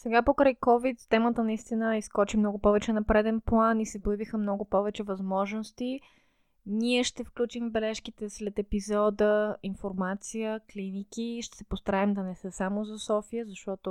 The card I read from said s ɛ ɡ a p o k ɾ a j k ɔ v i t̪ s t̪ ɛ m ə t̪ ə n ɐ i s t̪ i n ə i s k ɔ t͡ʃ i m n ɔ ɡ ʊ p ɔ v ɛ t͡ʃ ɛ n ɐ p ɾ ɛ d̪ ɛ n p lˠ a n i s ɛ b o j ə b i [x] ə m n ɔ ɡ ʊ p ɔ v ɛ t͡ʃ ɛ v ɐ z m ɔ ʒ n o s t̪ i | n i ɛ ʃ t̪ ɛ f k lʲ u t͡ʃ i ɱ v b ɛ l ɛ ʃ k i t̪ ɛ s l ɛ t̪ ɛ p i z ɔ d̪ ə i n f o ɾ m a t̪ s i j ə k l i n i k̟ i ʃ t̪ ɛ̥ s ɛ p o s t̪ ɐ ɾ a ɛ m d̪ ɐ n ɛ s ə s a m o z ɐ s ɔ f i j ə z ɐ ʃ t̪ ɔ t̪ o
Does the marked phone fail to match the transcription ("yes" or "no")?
no